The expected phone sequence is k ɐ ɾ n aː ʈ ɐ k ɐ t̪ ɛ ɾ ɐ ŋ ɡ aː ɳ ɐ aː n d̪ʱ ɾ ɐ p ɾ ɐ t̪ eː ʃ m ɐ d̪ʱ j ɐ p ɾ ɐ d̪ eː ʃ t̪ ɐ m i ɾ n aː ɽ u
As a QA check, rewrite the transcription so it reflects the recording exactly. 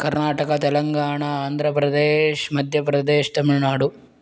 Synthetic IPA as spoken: k ɐ ɾ n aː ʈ ɐ k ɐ t̪ ɛ l ɐ ŋ ɡ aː ɳ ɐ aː n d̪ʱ ɾ ɐ p ɾ ɐ d̪ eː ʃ m ɐ d̪ʱ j ɐ p ɾ ɐ d̪ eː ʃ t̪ ɐ m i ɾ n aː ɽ u